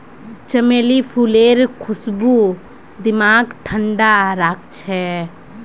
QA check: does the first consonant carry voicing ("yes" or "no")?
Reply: no